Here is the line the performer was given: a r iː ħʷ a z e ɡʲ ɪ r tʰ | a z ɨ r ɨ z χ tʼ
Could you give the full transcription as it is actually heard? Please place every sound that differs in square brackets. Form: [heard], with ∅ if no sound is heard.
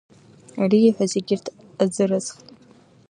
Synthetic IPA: a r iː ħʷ a z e ɡʲ ɪ r tʰ | a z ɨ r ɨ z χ tʼ